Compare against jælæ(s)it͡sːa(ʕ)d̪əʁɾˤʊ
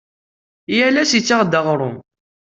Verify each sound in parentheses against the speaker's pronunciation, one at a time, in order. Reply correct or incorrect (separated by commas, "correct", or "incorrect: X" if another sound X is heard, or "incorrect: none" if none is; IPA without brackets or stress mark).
correct, incorrect: ʁ